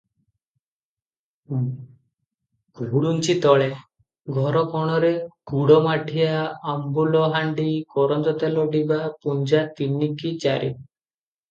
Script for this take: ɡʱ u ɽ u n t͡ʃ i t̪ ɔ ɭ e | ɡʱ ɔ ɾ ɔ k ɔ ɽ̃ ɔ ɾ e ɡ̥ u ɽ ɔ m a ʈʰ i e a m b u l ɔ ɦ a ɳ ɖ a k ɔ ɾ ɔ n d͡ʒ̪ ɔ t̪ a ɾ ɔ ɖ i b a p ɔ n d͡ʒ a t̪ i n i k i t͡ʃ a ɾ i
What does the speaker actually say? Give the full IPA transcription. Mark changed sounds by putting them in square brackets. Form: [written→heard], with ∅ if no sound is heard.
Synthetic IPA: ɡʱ u ɽ u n t͡ʃ i t̪ ɔ ɭ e | ɡʱ ɔ ɾ ɔ k ɔ ɽ̃ ɔ ɾ e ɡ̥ u ɽ ɔ m a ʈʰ i [e→a] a m b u l ɔ ɦ a ɳ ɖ [a→i] k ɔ ɾ ɔ n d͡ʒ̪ ɔ t̪ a [ɾ→l] ɔ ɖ i b a p [ɔ→u] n d͡ʒ a t̪ i n i k i t͡ʃ a ɾ i